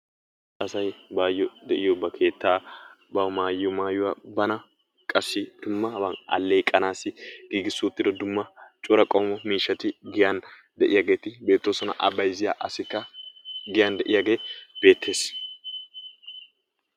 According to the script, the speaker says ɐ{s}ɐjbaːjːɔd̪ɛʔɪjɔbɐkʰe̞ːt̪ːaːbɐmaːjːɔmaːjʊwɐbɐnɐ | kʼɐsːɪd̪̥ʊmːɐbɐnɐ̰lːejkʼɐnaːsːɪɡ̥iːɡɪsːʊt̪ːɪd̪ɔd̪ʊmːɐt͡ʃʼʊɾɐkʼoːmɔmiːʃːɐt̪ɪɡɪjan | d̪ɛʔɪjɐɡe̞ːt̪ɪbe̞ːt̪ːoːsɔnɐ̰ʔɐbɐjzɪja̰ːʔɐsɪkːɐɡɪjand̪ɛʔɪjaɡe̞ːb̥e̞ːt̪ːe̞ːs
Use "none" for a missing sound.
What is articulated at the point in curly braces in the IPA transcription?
s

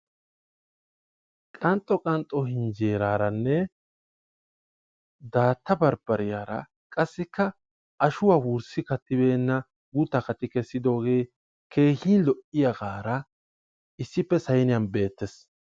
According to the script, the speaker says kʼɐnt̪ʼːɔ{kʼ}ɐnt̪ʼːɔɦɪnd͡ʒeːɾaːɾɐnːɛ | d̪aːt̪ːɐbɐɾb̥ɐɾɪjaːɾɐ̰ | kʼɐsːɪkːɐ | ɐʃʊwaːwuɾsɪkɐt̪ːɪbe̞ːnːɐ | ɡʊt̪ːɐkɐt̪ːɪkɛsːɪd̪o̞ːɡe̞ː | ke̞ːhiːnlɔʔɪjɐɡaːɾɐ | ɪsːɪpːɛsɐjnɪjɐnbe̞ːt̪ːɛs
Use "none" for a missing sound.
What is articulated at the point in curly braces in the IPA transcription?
kʼ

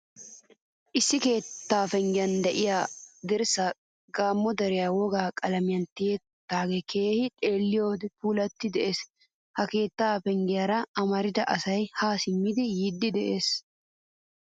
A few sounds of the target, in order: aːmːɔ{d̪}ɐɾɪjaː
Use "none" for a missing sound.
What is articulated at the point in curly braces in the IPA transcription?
d̪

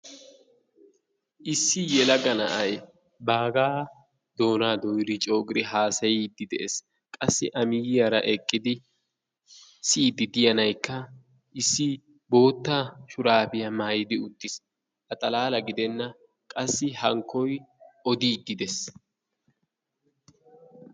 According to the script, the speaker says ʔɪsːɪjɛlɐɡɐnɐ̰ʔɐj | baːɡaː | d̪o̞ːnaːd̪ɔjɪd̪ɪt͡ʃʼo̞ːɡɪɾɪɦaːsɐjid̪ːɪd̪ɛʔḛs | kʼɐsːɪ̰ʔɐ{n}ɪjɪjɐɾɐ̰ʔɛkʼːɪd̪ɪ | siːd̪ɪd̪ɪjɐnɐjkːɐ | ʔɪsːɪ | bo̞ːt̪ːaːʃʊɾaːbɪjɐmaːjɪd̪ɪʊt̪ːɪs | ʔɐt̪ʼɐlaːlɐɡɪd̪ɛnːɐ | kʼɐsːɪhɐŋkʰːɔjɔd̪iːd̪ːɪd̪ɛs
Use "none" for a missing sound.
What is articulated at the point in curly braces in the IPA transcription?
m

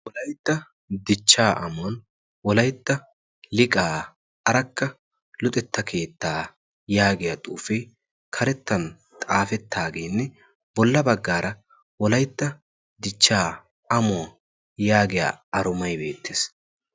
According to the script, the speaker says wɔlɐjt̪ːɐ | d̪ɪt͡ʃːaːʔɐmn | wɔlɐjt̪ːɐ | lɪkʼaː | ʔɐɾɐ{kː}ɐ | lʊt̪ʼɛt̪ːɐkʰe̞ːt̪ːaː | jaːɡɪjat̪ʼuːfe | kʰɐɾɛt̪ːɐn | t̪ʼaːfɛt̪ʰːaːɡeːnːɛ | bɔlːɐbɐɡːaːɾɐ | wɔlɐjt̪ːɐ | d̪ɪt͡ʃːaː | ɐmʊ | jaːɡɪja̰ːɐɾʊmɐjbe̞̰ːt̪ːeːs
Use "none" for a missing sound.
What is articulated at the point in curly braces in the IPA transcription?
kː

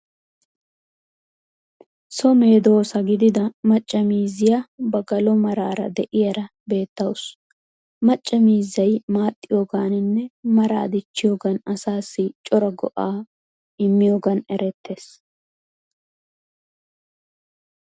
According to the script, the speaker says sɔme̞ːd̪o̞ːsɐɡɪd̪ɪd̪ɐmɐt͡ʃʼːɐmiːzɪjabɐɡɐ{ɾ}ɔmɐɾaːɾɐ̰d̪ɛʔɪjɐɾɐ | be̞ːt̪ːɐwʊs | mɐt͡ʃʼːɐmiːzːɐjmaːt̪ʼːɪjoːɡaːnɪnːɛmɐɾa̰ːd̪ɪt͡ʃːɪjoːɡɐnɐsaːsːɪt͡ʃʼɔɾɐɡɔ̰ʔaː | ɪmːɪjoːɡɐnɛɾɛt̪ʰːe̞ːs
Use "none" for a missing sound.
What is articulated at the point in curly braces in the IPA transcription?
l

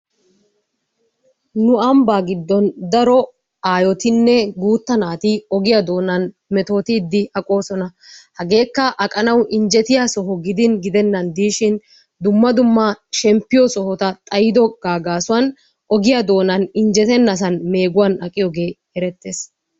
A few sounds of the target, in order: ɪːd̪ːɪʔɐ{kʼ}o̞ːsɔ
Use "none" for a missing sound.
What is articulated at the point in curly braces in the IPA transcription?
kʼ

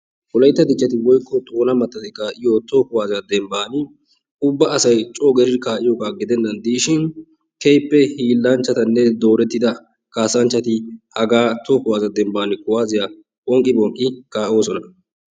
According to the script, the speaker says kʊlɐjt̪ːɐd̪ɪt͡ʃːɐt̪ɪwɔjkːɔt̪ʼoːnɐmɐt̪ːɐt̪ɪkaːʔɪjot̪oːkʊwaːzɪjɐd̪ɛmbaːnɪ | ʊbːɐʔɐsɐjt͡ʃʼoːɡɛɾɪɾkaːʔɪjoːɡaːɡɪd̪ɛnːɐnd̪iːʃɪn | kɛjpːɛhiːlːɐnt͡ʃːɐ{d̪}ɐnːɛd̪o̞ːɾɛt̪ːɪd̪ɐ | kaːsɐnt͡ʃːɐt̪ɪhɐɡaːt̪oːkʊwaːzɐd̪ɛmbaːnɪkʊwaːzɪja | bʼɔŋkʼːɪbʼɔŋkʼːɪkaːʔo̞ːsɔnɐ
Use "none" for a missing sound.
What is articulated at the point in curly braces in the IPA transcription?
t̪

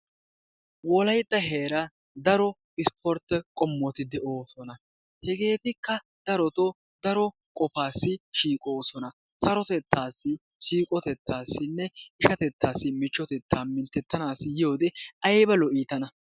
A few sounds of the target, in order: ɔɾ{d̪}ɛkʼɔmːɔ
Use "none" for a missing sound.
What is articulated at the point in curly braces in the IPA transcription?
t̪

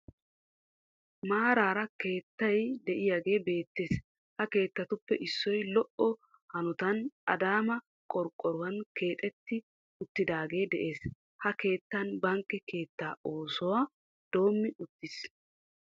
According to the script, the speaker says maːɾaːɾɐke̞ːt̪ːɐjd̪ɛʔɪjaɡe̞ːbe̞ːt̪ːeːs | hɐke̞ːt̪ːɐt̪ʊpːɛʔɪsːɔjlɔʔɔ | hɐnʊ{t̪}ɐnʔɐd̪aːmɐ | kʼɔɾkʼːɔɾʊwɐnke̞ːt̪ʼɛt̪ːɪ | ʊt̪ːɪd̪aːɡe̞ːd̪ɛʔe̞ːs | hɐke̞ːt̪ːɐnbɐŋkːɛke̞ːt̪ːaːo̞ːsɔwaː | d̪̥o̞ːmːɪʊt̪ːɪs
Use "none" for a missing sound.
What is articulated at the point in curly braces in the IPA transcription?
t̪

